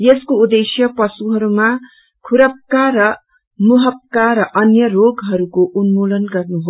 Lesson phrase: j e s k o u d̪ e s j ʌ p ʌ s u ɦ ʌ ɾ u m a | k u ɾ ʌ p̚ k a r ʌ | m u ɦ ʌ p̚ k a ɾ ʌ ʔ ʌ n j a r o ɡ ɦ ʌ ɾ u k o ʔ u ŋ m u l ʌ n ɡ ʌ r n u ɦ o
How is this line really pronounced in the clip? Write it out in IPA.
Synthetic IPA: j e s k o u d̪ e s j ʌ p ʌ s u ɦ ʌ ɾ u m a | kʰ u ɾ ʌ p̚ k a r ʌ | m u ɦ ʌ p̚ k a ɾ ʌ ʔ ʌ n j ʌ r o ɡ ɦ ʌ ɾ u k o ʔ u n m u l ʌ n ɡ ʌ r n u ɦ o